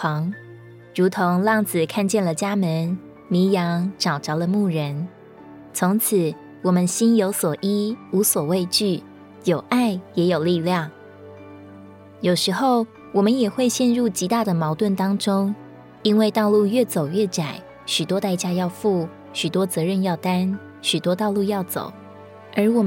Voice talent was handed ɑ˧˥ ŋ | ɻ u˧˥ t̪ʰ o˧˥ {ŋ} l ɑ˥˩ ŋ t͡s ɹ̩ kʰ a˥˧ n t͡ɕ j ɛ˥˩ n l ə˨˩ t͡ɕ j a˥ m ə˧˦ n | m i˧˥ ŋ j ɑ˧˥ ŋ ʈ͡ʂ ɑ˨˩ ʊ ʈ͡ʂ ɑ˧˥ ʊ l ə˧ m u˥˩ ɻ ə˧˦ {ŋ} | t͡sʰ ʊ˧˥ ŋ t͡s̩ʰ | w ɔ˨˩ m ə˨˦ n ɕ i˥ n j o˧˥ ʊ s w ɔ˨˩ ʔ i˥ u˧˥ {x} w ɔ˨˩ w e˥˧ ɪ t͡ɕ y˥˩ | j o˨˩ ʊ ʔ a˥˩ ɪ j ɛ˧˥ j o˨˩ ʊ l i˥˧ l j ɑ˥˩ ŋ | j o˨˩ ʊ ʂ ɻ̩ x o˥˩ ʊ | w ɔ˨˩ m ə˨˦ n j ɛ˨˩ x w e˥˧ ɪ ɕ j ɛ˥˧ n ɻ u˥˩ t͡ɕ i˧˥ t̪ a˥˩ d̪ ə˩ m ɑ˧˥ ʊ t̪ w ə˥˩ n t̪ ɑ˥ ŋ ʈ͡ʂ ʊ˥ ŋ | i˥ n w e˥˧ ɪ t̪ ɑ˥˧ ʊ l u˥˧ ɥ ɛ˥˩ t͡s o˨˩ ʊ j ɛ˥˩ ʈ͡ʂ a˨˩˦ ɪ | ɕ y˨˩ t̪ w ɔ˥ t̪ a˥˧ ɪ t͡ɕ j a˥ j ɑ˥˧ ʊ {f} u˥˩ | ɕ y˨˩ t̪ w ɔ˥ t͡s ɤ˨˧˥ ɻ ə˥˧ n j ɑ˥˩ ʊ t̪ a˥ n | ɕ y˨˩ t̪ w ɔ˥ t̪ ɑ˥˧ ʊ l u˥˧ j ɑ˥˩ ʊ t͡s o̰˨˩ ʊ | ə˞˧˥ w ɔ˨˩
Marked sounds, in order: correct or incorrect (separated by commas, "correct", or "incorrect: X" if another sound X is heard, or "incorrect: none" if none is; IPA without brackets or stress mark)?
correct, incorrect: n, incorrect: s, correct